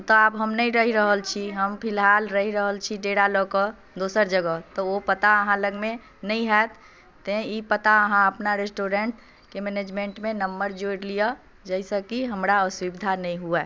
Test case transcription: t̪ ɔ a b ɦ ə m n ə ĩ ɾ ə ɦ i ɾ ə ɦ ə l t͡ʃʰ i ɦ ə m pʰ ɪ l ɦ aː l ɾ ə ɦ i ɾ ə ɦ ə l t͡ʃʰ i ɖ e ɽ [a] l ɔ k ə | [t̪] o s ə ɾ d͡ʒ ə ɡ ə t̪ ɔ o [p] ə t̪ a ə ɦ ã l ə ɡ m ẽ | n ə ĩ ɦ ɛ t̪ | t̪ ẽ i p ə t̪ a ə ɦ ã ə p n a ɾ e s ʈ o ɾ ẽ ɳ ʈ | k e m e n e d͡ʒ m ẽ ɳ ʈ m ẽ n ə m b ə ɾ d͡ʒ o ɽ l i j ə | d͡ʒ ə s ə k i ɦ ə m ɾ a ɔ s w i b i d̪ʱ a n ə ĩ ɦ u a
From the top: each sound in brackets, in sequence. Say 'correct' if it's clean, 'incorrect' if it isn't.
correct, incorrect: d̪, correct

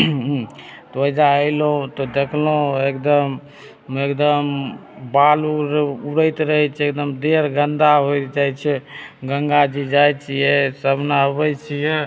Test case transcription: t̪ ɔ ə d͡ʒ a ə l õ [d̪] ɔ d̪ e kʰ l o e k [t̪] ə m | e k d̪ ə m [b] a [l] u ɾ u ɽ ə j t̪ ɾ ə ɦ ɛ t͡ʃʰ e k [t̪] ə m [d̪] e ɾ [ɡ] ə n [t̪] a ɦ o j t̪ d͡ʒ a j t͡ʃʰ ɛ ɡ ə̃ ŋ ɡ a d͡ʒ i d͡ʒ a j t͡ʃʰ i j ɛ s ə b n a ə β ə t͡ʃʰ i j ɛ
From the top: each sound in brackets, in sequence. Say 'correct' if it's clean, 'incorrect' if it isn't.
incorrect: t̪, incorrect: d̪, correct, correct, incorrect: d̪, correct, correct, incorrect: d̪

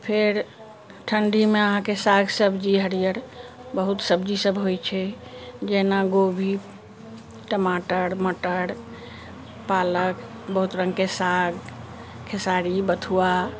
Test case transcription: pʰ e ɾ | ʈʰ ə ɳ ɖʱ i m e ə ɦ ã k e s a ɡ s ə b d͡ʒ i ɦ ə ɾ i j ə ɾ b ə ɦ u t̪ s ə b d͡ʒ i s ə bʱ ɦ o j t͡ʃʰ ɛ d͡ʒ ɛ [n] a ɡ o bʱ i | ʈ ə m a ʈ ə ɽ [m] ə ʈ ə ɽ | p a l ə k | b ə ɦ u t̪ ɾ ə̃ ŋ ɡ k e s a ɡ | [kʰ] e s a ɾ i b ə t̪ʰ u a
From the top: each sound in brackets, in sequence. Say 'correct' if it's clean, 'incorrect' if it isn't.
correct, correct, correct

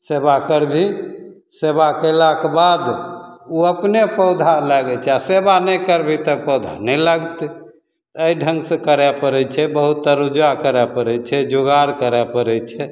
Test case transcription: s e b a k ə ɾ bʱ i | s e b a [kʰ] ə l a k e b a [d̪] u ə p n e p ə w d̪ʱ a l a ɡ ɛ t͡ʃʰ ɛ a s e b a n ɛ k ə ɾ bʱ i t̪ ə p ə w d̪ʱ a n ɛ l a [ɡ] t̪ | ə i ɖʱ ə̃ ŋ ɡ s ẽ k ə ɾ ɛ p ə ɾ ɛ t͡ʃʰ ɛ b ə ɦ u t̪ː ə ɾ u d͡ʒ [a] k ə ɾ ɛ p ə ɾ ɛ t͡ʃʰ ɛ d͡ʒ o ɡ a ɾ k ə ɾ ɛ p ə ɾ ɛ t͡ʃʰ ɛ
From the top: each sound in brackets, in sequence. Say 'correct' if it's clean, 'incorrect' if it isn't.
incorrect: k, correct, correct, correct

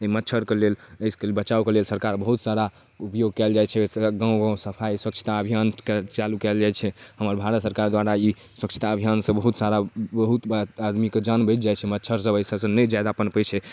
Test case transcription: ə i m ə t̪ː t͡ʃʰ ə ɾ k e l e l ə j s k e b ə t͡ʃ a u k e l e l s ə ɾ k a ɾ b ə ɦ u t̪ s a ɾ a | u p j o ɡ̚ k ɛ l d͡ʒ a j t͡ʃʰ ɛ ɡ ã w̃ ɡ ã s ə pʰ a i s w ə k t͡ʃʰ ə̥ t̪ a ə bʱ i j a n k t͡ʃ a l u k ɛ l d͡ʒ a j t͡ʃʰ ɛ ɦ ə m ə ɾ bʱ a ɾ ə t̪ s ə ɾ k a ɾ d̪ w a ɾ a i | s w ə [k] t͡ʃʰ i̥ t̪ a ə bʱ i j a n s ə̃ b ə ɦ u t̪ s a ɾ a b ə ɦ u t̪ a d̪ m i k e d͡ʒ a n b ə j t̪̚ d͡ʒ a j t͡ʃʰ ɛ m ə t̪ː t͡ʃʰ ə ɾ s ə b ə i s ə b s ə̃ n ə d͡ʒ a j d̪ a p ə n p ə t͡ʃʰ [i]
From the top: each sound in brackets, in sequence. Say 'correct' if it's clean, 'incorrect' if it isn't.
correct, incorrect: ɛ

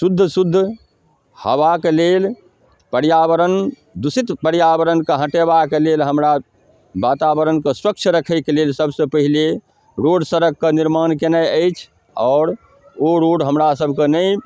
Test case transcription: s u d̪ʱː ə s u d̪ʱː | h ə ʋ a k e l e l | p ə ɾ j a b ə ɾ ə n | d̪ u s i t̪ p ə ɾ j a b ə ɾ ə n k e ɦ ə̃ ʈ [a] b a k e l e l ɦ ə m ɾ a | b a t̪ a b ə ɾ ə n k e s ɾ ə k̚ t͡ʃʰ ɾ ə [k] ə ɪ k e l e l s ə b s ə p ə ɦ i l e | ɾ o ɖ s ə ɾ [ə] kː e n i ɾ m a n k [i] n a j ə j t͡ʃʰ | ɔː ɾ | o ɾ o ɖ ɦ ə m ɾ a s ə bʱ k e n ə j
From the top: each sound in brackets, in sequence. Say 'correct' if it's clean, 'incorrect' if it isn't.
incorrect: e, incorrect: kʰ, correct, incorrect: e

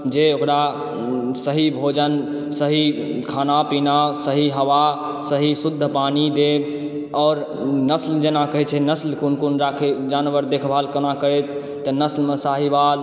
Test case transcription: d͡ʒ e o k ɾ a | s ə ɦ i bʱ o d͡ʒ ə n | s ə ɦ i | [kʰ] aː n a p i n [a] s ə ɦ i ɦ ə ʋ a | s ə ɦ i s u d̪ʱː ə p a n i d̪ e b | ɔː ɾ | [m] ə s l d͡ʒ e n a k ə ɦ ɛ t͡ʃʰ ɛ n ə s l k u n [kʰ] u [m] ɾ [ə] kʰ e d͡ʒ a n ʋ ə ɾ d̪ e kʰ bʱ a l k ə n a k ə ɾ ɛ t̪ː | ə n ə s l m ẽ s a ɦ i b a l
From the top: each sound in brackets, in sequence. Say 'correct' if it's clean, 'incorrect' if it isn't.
correct, correct, incorrect: n, incorrect: k, incorrect: n, incorrect: a

